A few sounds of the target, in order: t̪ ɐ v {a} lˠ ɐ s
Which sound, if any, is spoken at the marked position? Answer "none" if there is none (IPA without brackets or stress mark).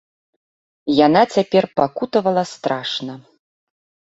ɐ